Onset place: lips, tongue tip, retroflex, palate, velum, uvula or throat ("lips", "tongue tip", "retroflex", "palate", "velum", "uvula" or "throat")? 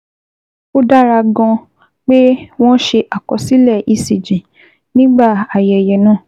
tongue tip